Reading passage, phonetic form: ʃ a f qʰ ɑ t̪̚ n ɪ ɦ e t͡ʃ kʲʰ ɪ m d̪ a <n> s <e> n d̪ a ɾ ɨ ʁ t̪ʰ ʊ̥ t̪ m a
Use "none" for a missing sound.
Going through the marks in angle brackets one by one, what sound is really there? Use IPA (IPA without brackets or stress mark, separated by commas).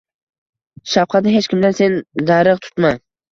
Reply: n, e